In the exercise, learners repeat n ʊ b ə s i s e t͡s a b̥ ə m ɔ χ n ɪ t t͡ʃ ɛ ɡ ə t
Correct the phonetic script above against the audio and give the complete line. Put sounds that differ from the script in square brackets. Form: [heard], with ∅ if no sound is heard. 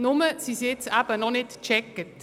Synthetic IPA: n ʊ [m] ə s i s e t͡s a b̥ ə [n] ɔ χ n ɪ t t͡ʃ ɛ [k] ə t